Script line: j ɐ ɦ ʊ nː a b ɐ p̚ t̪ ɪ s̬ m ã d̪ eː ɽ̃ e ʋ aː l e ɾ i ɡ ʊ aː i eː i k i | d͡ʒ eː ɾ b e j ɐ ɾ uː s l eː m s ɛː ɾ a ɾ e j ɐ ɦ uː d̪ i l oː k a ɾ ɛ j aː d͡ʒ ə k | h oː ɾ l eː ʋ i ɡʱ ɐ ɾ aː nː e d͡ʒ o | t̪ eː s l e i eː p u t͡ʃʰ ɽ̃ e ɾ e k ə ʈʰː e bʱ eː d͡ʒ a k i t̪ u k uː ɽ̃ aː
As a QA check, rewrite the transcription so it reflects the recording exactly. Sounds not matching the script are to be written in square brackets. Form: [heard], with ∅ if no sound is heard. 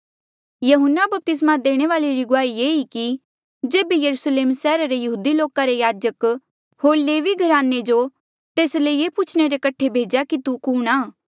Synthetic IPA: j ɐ ɦ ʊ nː a b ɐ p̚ t̪ ɪ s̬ m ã d̪ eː ɽ̃ e ʋ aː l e ɾ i ɡ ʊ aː i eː i k i | d͡ʒ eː [∅] b e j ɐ ɾ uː s l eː m s ɛː ɾ a ɾ e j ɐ ɦ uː d̪ i l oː k a ɾ [e] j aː d͡ʒ ə k | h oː ɾ l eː ʋ i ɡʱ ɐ ɾ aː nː e d͡ʒ o | t̪ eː s l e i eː p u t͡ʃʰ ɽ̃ e ɾ e k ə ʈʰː e bʱ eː d͡ʒ a k i t̪ u k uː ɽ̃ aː